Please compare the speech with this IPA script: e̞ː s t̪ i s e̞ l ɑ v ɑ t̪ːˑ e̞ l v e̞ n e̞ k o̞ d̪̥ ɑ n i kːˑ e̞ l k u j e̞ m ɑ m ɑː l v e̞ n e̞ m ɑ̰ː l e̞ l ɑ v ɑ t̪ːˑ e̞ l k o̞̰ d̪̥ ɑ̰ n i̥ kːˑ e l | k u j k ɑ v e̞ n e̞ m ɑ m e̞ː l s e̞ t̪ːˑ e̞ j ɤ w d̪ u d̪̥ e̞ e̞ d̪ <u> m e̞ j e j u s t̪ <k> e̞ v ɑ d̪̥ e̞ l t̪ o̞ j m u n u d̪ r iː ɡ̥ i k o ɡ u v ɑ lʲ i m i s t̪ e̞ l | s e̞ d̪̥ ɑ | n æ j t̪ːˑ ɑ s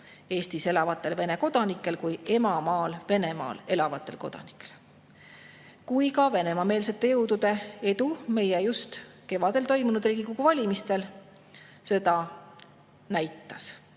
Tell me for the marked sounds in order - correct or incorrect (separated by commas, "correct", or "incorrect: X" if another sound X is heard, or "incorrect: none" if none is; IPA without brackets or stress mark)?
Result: correct, correct